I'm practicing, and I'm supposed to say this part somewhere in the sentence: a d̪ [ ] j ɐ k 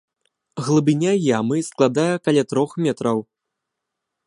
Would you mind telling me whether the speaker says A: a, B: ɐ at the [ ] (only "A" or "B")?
A